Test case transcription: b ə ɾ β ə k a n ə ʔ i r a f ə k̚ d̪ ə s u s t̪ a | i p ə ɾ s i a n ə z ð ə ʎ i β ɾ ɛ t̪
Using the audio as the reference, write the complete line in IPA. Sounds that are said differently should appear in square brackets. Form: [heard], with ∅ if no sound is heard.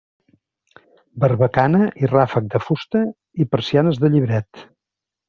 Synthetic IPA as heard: b ə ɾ β ə k a n ə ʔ i r a f ə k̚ d̪ ə [f] u s t̪ [ə] | i p ə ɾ s i a n ə z ð ə ʎ i β ɾ ɛ t̪